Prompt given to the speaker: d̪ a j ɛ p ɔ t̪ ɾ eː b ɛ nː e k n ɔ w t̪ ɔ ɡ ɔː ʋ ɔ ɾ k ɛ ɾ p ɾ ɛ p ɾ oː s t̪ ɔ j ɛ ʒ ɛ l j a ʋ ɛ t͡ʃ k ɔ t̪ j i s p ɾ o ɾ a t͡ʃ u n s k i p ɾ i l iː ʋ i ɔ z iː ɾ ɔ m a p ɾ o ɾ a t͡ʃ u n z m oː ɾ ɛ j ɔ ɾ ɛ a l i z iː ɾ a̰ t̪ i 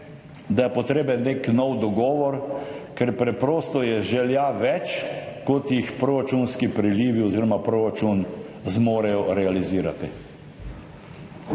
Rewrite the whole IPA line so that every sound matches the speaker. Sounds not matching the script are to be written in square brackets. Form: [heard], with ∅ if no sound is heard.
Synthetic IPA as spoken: d̪ a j ɛ p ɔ t̪ ɾ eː b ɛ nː e k n ɔ w [d̪] ɔ ɡ ɔː ʋ ɔ ɾ k ɛ ɾ p ɾ ɛ p ɾ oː s t̪ ɔ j ɛ ʒ ɛ l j a ʋ ɛ t͡ʃ k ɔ t̪ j i [x] p ɾ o ɾ a t͡ʃ u n s k i p ɾ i l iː ʋ i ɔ z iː ɾ ɔ m a p ɾ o ɾ a t͡ʃ u n z m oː ɾ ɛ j ɔ ɾ ɛ a l i z iː ɾ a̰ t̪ i